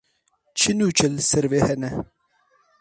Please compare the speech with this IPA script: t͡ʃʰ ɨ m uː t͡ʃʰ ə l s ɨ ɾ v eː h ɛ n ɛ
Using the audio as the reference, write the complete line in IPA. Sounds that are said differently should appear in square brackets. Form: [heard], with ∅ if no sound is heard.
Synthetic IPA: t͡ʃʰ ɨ [n] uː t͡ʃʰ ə l s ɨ ɾ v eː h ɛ n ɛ